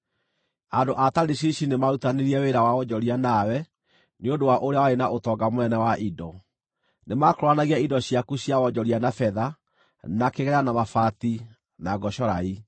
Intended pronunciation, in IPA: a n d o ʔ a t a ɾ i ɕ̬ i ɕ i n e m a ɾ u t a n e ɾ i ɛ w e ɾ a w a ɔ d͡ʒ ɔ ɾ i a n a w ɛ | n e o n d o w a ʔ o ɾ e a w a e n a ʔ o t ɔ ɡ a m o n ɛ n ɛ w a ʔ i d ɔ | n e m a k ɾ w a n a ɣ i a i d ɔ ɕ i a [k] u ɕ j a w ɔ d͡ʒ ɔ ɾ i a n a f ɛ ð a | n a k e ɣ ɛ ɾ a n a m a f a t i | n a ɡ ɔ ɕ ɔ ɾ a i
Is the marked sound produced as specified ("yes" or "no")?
yes